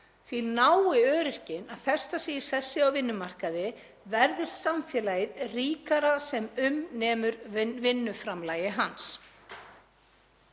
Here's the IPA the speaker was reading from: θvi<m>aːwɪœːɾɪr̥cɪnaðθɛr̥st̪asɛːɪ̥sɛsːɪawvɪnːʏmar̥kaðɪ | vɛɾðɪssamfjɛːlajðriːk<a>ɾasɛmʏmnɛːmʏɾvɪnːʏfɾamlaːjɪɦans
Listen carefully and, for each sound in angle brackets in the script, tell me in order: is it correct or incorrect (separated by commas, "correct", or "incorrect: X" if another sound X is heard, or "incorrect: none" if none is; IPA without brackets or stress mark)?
incorrect: n, correct